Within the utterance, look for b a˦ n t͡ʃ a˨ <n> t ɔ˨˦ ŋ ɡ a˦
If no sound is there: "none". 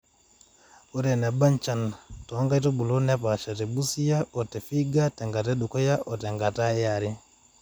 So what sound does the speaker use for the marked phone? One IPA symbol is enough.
n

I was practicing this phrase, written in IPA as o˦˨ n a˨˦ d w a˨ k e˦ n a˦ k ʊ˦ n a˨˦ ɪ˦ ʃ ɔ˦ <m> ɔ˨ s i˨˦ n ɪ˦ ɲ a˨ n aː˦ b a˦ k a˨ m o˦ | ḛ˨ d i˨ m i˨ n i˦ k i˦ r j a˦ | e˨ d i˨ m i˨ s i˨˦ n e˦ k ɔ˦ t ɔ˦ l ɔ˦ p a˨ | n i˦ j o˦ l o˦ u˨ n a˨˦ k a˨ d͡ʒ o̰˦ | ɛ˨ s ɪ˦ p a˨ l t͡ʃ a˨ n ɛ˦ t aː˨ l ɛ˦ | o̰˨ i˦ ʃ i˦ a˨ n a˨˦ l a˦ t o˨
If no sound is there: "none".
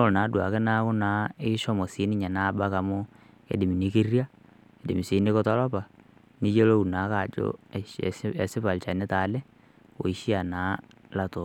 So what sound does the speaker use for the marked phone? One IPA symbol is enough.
m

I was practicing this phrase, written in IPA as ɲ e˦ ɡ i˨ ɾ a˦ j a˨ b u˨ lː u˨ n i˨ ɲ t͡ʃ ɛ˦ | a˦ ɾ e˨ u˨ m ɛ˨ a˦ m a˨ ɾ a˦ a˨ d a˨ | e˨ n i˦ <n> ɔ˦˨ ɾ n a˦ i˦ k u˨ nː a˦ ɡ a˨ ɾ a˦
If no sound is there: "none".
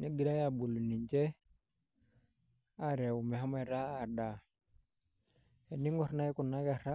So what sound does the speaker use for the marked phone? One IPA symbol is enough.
ŋ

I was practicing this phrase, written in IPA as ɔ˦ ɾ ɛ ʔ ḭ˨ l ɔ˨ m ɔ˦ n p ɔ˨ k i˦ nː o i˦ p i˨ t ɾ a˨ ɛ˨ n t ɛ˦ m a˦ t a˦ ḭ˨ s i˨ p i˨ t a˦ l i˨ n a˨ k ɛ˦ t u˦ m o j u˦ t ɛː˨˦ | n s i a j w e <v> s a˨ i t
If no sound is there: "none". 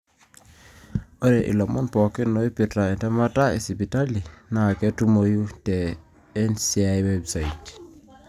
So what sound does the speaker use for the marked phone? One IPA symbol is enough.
b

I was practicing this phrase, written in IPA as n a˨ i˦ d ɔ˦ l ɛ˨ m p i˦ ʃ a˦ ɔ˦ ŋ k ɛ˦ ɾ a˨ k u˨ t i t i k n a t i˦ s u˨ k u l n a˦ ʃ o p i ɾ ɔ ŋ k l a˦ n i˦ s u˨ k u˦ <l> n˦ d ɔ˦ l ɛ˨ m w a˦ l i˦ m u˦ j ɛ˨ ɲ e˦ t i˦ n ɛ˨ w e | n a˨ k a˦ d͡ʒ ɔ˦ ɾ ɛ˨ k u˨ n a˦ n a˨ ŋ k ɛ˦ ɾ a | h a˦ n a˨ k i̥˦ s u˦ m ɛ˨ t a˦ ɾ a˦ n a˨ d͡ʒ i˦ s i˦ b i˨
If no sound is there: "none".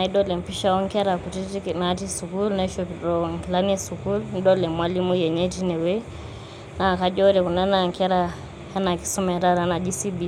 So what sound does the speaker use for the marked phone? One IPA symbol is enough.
l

